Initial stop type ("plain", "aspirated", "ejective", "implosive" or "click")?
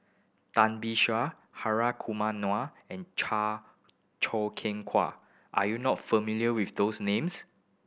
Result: plain